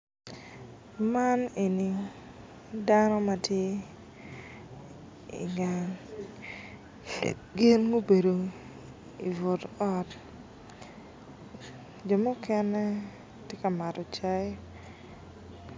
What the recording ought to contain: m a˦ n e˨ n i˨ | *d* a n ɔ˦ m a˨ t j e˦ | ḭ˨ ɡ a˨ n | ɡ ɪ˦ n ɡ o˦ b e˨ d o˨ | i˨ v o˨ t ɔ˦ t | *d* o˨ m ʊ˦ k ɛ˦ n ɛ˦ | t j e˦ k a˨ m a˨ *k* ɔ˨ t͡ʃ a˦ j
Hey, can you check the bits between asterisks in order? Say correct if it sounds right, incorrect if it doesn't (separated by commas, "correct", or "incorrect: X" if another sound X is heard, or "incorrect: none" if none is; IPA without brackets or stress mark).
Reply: correct, incorrect: d͡ʒ, incorrect: t